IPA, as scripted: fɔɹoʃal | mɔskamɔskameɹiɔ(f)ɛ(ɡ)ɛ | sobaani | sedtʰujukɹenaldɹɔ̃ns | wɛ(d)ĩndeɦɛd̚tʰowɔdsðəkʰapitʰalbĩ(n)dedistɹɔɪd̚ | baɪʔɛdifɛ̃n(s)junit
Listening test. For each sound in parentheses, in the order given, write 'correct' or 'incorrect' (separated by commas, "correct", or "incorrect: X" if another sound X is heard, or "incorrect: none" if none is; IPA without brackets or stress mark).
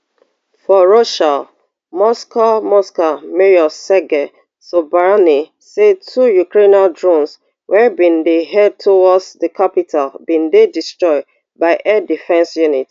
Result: incorrect: s, correct, incorrect: b, correct, correct